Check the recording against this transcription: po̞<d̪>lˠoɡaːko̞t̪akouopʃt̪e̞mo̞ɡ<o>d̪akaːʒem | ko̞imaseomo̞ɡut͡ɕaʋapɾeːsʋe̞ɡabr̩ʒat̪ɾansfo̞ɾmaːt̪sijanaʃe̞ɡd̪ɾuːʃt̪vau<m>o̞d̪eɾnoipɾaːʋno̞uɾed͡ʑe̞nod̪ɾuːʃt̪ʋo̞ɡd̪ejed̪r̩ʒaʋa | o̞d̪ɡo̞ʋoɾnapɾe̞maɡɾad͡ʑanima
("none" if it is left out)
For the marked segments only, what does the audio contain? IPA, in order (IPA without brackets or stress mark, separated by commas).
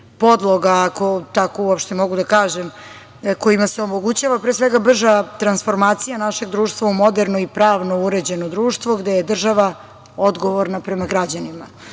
d̪, u, m